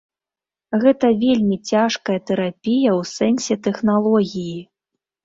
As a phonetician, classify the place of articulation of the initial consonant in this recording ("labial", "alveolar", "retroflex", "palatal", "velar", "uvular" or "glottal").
velar